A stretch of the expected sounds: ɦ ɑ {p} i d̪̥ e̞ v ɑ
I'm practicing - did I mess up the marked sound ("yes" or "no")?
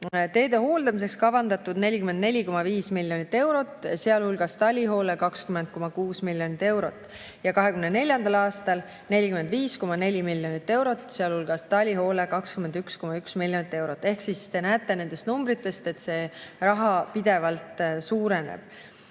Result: no